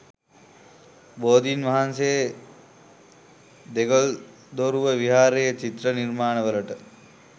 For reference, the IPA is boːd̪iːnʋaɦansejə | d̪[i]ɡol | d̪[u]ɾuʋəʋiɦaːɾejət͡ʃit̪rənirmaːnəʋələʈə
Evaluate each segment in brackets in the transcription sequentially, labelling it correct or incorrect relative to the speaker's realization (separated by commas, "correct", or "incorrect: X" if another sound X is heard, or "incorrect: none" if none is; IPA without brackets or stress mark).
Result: incorrect: e, incorrect: o